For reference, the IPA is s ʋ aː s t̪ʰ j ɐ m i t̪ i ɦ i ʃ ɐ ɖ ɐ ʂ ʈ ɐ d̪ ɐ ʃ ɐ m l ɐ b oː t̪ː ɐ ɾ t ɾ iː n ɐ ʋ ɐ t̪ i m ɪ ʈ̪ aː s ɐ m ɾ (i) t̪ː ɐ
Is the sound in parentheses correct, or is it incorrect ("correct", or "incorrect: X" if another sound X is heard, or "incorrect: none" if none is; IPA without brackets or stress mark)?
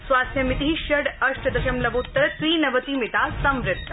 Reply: incorrect: ɪ